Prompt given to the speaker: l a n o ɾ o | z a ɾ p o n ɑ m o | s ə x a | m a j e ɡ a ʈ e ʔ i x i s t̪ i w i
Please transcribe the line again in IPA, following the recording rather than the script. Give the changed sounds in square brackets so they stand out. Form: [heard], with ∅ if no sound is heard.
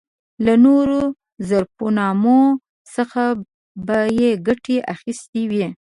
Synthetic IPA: l a n o ɾ o | z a ɾ p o n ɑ m o | s ə x a | [b] a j e ɡ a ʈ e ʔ [a] x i s t̪ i w i